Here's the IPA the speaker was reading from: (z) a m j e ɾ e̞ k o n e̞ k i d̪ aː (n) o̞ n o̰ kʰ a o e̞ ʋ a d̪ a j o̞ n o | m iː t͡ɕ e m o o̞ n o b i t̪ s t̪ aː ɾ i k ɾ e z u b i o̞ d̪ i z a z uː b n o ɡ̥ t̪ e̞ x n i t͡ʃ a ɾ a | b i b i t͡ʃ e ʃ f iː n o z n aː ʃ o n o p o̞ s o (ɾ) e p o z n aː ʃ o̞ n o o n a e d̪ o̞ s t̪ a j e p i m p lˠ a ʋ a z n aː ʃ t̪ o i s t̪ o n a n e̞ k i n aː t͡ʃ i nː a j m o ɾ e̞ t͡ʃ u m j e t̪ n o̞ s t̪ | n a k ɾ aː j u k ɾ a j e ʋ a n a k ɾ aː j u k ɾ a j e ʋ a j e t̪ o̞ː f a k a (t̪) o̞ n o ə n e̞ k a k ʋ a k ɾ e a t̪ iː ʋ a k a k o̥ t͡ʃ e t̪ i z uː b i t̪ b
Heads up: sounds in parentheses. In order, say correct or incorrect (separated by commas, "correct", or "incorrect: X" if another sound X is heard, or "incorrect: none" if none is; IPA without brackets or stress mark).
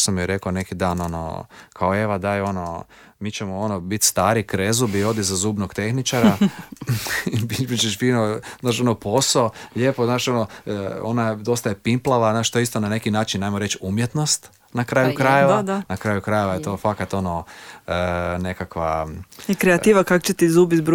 incorrect: s, correct, incorrect: ʎ, correct